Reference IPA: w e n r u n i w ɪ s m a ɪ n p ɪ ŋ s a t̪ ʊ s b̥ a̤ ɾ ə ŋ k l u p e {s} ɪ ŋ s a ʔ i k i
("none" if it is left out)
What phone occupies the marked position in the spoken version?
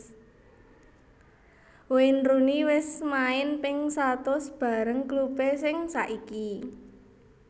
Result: s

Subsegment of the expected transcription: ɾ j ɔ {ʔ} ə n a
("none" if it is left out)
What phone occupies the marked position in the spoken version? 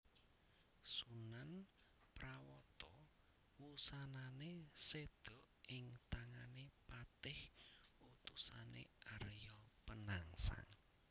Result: p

